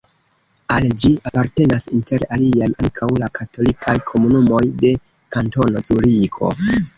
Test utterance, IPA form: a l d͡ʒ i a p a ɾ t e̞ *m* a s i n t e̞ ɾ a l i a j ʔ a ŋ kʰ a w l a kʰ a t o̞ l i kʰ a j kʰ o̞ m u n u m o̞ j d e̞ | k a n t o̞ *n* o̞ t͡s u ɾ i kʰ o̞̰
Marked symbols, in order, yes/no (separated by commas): no, yes